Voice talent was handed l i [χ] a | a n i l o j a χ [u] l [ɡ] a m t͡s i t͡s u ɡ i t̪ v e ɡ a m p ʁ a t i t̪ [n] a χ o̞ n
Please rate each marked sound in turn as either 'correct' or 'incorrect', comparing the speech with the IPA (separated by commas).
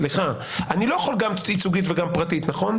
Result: correct, incorrect, correct, correct